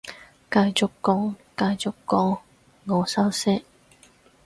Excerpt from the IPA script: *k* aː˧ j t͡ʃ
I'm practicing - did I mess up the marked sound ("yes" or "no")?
no